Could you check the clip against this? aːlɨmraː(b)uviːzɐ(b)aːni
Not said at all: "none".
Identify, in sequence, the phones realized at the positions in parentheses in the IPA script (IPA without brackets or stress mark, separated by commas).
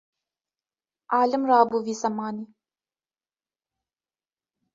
b, m